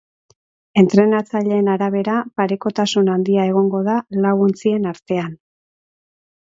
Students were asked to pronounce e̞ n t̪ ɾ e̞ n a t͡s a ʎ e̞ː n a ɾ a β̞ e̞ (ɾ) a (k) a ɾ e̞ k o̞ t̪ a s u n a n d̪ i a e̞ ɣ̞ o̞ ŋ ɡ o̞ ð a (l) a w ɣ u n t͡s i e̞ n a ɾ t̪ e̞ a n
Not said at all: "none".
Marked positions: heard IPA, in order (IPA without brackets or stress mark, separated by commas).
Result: ɾ, p, l